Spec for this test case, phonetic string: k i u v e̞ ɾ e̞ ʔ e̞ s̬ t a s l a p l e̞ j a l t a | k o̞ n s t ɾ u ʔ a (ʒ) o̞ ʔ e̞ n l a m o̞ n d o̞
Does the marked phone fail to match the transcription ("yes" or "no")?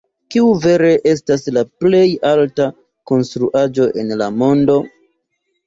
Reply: yes